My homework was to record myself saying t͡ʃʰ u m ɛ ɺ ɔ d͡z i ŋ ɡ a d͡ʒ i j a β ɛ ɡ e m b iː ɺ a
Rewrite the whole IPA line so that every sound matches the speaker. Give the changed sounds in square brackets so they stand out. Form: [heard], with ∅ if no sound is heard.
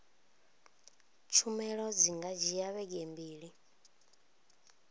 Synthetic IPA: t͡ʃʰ u m ɛ ɺ ɔ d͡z i ŋ ɡ a d͡ʒ i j a β ɛ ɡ e m b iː ɺ [i]